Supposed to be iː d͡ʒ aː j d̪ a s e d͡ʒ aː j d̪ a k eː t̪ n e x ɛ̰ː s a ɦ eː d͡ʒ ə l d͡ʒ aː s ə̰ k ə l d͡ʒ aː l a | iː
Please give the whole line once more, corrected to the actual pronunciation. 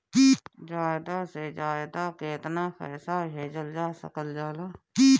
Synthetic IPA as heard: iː d͡ʒ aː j d̪ a s e d͡ʒ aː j d̪ a k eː t̪ n a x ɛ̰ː s a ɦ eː d͡ʒ ə l d͡ʒ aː s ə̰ k ə l d͡ʒ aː l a | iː